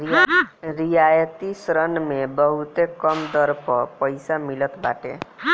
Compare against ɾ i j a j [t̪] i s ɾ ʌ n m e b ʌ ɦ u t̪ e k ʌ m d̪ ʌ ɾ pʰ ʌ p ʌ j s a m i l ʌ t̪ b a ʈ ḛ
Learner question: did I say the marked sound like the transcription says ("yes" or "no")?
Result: yes